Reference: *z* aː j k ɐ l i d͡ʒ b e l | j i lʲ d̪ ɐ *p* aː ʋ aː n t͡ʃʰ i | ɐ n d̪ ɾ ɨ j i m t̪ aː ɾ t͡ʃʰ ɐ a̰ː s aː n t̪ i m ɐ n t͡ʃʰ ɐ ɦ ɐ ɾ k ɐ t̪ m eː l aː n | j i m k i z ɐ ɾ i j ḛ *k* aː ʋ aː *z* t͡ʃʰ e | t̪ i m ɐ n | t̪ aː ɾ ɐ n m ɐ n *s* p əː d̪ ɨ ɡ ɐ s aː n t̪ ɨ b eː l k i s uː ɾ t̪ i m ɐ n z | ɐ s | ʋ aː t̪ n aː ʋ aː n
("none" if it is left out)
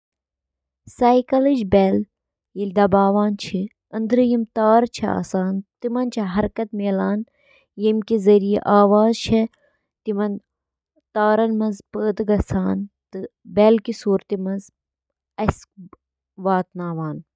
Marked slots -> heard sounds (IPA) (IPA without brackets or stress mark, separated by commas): s, b, ʔ, z, z